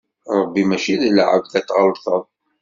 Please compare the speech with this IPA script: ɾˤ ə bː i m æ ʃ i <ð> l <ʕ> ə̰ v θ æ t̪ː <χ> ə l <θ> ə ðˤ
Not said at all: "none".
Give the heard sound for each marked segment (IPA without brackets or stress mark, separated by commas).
ð, ʕ, ʁ, θ